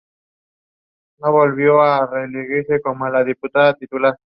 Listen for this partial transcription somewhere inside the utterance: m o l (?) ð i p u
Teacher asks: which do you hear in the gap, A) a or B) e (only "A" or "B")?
A